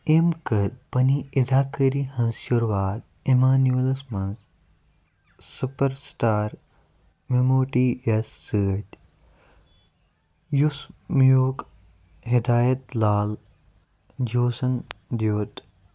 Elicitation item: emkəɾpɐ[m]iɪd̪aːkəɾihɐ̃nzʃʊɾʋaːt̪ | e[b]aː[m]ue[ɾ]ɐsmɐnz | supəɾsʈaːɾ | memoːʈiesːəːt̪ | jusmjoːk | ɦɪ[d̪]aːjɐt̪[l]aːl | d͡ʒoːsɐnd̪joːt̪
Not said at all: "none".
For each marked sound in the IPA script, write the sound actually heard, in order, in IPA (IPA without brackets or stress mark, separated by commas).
n, m, n, l, d̪, l